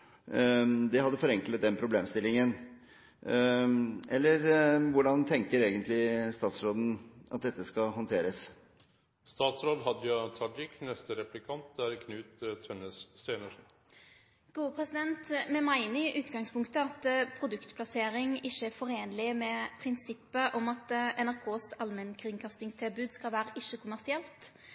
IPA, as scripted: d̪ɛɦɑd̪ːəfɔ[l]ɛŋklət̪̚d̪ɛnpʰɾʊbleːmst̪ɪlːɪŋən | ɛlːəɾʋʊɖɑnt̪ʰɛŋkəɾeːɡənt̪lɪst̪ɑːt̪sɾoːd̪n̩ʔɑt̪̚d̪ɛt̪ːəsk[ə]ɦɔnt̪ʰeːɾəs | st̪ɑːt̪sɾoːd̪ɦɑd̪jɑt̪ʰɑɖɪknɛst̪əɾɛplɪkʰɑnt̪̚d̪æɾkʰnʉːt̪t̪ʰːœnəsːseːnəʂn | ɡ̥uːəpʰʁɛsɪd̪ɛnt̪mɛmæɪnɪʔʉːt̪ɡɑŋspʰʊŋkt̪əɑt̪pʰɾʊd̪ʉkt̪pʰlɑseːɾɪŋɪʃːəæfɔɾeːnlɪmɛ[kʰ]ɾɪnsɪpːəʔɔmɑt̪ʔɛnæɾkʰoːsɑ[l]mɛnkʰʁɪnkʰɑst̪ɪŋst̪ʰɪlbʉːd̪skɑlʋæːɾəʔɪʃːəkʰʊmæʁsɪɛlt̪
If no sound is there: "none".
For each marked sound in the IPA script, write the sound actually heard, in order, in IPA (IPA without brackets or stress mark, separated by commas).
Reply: ɾ, ɑ, pʰ, l